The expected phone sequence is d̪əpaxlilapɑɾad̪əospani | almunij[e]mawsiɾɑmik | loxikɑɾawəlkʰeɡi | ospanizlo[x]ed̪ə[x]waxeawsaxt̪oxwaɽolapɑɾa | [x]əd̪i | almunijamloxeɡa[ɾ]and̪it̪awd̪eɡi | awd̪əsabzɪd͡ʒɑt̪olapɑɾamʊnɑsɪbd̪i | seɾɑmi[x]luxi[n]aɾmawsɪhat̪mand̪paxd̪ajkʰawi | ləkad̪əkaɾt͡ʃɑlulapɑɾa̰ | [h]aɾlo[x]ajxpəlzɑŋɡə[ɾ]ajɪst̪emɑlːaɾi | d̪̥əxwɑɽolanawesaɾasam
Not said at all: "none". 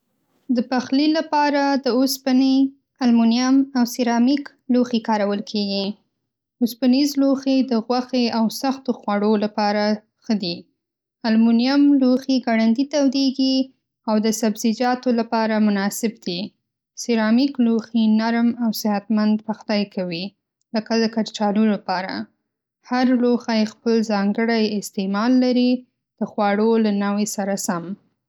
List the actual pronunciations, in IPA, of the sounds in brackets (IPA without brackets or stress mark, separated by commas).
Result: a, x, ɣ, x, ɽ, k, n, h, x, ɽ